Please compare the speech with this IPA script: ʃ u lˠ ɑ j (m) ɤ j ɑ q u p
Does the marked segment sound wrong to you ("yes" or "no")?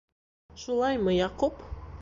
no